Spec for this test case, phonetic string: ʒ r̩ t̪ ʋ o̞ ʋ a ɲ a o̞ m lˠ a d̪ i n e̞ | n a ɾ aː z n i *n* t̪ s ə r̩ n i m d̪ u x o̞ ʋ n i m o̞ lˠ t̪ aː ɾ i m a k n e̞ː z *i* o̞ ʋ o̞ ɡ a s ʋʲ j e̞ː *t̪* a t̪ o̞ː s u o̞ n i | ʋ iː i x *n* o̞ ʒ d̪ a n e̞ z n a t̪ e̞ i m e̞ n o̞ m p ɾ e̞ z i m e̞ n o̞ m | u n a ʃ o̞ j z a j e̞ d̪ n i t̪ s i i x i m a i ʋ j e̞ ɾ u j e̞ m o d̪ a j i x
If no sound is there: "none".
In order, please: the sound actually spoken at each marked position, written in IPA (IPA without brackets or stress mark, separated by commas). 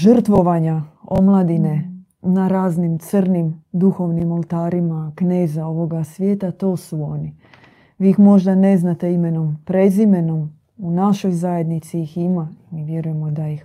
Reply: m, a, t̪, m